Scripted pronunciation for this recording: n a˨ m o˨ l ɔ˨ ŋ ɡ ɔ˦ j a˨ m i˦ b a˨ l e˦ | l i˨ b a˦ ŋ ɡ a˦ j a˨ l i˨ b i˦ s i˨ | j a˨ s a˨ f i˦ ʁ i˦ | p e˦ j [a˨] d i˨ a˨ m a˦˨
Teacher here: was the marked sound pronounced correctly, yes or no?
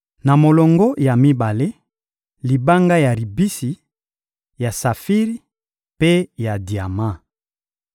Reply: yes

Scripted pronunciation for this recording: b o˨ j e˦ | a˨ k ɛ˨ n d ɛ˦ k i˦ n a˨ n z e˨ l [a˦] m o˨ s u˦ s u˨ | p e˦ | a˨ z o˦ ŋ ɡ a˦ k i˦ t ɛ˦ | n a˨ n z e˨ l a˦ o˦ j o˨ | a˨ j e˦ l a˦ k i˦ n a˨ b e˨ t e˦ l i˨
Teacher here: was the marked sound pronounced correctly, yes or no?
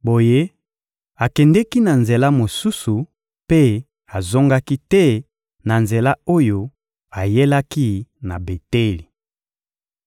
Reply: yes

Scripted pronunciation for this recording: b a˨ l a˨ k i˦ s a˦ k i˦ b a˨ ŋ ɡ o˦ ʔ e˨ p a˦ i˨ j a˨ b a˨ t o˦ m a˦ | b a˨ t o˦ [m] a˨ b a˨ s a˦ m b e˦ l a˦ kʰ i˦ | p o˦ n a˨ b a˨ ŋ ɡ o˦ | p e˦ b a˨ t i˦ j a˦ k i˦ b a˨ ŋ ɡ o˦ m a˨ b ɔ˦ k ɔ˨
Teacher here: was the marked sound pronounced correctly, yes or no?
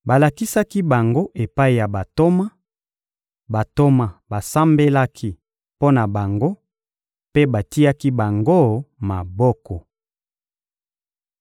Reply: yes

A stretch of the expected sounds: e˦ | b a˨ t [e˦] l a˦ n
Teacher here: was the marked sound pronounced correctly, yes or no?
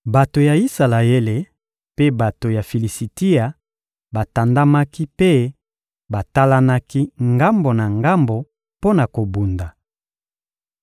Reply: no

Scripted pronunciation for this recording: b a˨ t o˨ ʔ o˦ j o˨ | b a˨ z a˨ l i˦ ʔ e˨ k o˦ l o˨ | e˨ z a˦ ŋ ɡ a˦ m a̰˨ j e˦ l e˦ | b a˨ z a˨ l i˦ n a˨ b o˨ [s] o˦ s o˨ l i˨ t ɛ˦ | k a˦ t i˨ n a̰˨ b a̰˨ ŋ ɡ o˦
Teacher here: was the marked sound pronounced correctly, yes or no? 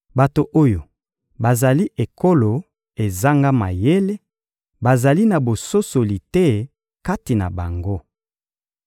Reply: yes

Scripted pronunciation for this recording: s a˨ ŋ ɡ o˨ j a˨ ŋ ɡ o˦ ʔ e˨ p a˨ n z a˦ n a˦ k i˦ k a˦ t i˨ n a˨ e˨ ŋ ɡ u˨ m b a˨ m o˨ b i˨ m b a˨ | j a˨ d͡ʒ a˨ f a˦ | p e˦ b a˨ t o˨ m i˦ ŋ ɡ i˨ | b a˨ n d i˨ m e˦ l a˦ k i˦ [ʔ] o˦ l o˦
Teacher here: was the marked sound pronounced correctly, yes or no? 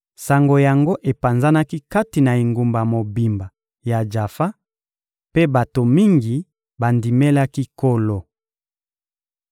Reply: no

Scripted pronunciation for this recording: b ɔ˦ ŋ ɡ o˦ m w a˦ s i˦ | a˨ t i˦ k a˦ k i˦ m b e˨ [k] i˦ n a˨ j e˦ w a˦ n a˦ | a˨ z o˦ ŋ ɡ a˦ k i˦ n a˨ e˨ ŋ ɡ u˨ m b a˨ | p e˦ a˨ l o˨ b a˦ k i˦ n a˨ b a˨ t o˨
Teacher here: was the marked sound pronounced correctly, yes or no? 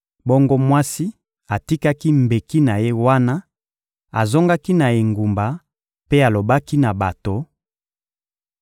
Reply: yes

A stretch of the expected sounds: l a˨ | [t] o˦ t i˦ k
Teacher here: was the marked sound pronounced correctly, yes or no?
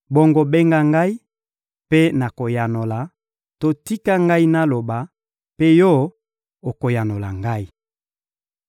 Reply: yes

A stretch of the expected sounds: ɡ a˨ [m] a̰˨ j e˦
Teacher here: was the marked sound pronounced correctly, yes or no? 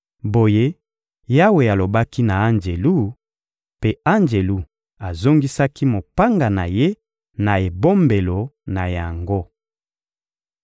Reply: no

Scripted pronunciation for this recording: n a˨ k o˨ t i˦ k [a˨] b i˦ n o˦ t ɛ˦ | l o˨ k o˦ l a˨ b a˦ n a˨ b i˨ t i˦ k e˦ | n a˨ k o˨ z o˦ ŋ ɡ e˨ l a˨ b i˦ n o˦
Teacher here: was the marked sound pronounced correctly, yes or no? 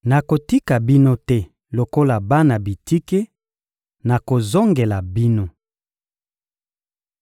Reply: yes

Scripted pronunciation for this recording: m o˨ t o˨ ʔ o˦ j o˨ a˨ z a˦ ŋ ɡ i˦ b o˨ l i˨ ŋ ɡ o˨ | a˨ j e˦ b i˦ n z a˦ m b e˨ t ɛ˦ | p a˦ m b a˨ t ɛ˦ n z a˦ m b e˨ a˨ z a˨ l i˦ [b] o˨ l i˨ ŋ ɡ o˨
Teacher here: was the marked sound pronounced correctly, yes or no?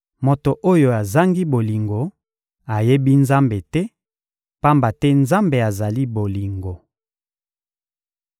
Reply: yes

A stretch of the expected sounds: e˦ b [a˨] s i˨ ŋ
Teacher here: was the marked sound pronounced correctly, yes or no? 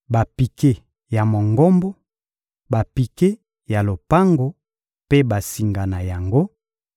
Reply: yes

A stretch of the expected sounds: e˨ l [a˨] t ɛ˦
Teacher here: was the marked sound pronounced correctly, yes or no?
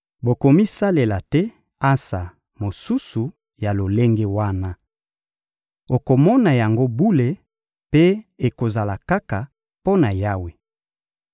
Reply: yes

